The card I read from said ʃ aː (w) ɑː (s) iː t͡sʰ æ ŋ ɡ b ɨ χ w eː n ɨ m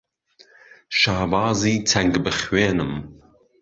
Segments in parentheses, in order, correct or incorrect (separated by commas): incorrect, incorrect